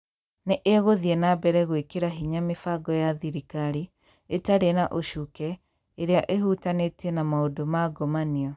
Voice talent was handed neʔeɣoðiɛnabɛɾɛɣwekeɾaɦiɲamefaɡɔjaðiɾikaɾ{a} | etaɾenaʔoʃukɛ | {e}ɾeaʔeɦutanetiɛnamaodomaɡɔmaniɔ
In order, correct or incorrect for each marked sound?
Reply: incorrect, correct

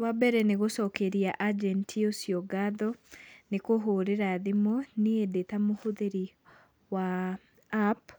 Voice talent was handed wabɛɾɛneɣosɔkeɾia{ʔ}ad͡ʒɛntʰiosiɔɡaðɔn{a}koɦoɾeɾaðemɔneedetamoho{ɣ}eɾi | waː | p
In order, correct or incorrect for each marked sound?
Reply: correct, incorrect, incorrect

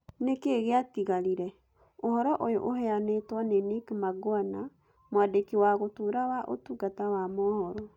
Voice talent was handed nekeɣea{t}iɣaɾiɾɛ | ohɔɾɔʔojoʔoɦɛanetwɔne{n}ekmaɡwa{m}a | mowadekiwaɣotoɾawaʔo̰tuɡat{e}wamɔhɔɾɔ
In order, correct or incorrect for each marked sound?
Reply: correct, correct, incorrect, incorrect

